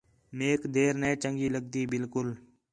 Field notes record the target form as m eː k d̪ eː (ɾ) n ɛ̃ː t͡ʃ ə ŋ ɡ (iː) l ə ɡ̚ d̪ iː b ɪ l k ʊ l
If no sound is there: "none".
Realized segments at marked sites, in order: ɾ, iː

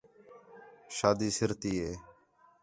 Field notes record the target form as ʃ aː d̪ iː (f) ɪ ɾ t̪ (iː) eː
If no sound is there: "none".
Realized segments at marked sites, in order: s, iː

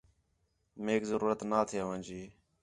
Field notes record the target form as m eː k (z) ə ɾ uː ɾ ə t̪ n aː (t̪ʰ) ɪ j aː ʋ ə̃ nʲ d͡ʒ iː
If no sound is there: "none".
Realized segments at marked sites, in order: z, t̪ʰ

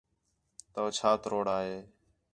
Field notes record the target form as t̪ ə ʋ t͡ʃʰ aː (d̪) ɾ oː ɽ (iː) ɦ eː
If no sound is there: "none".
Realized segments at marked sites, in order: t̪, aː

